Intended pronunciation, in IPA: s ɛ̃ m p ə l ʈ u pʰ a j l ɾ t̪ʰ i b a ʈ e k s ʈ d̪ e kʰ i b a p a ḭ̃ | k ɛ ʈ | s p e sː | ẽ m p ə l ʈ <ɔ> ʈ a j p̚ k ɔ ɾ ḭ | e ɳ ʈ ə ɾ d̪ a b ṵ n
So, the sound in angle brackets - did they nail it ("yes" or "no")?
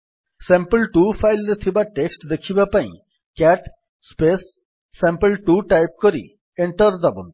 no